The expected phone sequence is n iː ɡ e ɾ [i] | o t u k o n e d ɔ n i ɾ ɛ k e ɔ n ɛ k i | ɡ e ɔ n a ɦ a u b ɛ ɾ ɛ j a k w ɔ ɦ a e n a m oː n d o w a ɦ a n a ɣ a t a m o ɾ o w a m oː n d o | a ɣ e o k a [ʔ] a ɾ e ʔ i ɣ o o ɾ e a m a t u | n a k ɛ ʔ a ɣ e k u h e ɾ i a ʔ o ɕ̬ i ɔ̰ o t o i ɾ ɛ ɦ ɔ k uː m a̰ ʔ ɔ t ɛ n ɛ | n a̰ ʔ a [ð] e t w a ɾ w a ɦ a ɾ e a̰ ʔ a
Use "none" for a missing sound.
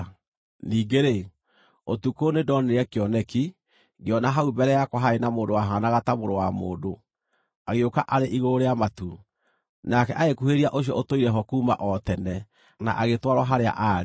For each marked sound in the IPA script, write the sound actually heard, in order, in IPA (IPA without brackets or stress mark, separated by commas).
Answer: e, ʔ, ɣ